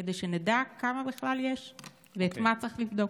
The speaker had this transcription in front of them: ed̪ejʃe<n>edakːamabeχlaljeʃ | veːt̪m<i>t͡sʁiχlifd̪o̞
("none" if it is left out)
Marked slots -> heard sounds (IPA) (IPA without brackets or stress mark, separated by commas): n, a